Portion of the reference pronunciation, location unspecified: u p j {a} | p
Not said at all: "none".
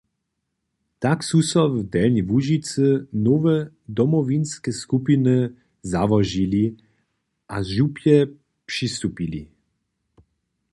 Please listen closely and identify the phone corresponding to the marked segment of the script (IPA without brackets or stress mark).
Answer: ɛ